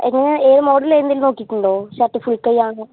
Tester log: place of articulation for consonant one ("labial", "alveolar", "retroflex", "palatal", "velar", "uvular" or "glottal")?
velar